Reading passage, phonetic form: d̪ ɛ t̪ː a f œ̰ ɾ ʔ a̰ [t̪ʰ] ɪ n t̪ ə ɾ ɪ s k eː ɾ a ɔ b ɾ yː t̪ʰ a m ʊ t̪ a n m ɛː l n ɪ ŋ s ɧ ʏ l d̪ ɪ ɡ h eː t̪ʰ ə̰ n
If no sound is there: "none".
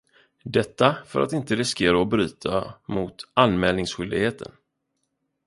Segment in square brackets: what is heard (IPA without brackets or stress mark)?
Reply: t̪